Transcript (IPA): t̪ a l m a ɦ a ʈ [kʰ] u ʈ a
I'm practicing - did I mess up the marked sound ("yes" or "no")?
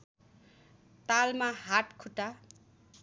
no